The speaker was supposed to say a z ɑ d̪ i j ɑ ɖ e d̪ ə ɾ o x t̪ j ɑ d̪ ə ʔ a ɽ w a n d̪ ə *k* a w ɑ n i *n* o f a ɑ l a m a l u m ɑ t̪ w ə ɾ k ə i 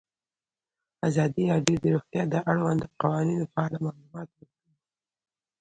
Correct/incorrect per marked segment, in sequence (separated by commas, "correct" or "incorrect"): incorrect, correct